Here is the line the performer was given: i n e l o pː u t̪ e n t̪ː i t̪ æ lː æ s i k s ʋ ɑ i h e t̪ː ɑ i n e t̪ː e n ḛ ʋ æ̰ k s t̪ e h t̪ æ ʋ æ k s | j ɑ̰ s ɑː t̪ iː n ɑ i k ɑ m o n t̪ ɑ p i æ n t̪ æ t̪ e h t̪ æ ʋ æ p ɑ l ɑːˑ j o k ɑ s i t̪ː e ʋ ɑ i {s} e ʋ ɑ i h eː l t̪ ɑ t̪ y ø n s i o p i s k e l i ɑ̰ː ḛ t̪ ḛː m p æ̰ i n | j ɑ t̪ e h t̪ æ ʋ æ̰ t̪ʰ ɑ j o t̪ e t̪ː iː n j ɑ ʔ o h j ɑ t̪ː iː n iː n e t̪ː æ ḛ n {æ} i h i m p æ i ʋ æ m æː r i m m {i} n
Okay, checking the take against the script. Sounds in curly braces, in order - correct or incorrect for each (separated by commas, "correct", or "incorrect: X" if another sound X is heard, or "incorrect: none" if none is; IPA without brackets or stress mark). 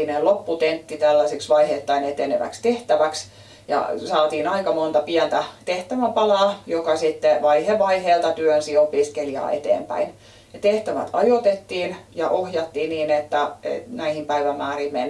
incorrect: h, correct, incorrect: e